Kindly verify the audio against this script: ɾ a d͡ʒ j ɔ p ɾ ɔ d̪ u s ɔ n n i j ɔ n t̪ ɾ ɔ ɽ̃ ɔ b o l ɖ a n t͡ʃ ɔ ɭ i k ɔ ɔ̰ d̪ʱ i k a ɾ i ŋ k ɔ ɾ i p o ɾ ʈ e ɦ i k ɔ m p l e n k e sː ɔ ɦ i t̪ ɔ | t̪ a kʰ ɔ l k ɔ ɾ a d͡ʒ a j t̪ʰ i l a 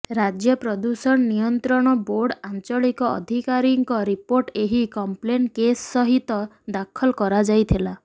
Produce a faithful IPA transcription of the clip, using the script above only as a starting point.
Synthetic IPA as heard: ɾ a d͡ʒ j ɔ p ɾ ɔ d̪ u s ɔ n n i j ɔ n t̪ ɾ ɔ ɽ̃ ɔ b o ɾ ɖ a n t͡ʃ ɔ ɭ i k ɔ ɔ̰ d̪ʱ i k a ɾ i ŋ k ɔ ɾ i p o ɾ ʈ e ɦ i k ɔ m p l e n k e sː ɔ ɦ i t̪ ɔ | d̪ a kʰ ɔ l k ɔ ɾ a d͡ʒ a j t̪ʰ i l a